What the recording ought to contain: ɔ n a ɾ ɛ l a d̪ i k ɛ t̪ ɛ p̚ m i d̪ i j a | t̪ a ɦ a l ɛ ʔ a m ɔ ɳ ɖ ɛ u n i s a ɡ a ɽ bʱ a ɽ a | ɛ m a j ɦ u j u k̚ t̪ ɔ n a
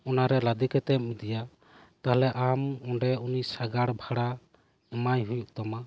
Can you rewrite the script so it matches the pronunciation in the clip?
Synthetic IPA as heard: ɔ n a ɾ ɛ l a d̪ i k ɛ t̪ ɛ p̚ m i d̪ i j a | t̪ a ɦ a l ɛ ʔ a m ɔ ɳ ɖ ɛ u n i s a ɡ a ɽ bʱ a ɽ a | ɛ m a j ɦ u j u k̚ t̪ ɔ m a